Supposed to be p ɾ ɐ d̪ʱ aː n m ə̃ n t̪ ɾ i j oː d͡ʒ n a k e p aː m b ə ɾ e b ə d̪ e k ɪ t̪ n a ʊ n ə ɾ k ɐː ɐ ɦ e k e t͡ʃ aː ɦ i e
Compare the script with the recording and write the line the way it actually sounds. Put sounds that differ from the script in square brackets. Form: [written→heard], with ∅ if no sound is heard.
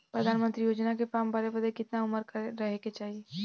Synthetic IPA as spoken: p ɾ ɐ d̪ʱ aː n m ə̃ n t̪ ɾ i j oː d͡ʒ n a k e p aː m b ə ɾ e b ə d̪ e k ɪ t̪ n a ʊ [n→m] ə ɾ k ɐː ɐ ɦ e k e t͡ʃ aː ɦ i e